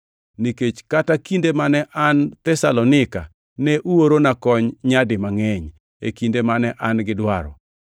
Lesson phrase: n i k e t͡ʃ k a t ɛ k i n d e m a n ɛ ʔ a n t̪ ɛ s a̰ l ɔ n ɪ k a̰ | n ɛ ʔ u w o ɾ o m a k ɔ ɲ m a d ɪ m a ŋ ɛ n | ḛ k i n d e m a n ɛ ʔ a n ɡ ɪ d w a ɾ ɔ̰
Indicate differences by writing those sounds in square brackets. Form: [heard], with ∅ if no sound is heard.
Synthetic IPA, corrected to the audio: n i k e t͡ʃ k a t [a] k i n d e m a n ɛ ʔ a n t̪ ɛ s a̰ l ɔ n ɪ k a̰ | n ɛ ʔ u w o ɾ o [n] a k ɔ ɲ [ɲ] a d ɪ m a ŋ ɛ [ɲ] | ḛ k i n d e m a n ɛ ʔ a n ɡ ɪ d w a ɾ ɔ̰

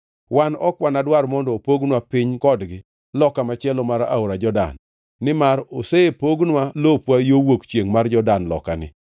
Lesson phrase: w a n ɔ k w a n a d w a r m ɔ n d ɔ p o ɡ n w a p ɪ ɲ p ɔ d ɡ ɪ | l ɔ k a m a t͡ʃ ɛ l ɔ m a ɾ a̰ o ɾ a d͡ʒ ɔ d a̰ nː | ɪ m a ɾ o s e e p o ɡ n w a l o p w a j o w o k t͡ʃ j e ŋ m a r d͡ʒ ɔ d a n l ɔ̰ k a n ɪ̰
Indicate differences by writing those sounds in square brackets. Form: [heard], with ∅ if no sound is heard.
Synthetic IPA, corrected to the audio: w a n ɔ k w a n a d w a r m ɔ n d ɔ p o ɡ n w a p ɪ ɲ [k] ɔ d ɡ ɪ | l ɔ k a m a t͡ʃ ɛ l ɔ m a ɾ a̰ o ɾ a d͡ʒ ɔ d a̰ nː | ɪ m a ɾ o s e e p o ɡ n w a l o p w a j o w o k t͡ʃ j e ŋ m a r d͡ʒ ɔ d a n l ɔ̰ k a n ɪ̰

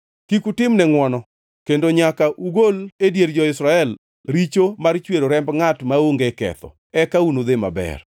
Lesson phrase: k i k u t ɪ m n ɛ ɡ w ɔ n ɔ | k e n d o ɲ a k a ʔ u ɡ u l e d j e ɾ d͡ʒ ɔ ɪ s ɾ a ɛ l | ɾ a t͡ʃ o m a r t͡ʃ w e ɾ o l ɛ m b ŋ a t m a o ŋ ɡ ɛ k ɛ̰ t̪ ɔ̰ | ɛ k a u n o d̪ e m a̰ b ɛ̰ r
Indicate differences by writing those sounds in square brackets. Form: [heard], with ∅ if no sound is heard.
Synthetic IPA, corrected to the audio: k i k u t ɪ m n ɛ [ŋ] w ɔ n ɔ | k e n d o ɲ a k a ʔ u ɡ [o] l e d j e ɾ d͡ʒ ɔ ɪ s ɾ a ɛ l | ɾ [i] t͡ʃ o m a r t͡ʃ w e ɾ o [ɾ] ɛ m b ŋ a t m a o ŋ ɡ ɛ k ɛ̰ t̪ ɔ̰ | ɛ k a u n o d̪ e m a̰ b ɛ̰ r

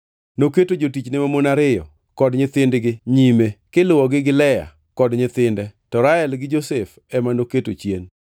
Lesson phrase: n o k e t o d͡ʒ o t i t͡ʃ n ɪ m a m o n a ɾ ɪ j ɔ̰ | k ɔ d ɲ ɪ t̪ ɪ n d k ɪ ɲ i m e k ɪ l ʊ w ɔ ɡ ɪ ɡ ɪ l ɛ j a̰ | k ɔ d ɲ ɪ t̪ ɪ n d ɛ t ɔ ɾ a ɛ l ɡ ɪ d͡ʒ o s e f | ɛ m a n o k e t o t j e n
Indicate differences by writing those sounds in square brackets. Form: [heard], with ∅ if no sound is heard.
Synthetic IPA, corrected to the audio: n o k e t o d͡ʒ o t i t͡ʃ n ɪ m a m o n a ɾ ɪ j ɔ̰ | k ɔ d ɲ ɪ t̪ ɪ n d [ɡ] ɪ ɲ i m e k ɪ l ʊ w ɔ ɡ ɪ ɡ ɪ l ɛ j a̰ | k ɔ d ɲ ɪ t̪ ɪ n d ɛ t ɔ ɾ a ɛ l ɡ ɪ d͡ʒ o s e f | ɛ m a n o k e t o [t͡ʃ] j e n

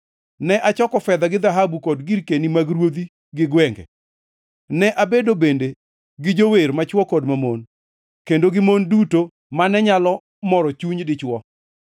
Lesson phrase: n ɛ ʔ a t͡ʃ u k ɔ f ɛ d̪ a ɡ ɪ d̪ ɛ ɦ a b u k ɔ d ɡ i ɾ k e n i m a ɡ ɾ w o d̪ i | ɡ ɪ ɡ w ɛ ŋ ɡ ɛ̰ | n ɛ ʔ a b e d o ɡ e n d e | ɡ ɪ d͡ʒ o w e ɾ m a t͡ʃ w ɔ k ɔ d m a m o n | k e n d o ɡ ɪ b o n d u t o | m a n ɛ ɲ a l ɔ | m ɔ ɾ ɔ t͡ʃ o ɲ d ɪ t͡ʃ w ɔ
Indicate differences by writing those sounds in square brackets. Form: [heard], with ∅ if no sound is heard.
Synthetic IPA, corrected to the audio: n ɛ ʔ a t͡ʃ [ɔ] k ɔ f ɛ d̪ a ɡ ɪ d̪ [a] ɦ a b u k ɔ d ɡ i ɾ k e n i m a ɡ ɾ w o d̪ i | ɡ ɪ ɡ w ɛ ŋ ɡ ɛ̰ | n ɛ ʔ a b e d o [b] e n d e | ɡ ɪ d͡ʒ o w e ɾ m a t͡ʃ w ɔ k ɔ d m a m o n | k e n d o ɡ ɪ [m] o n d u t o | m a n ɛ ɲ a l ɔ | m ɔ ɾ ɔ t͡ʃ [u] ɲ d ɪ t͡ʃ w ɔ

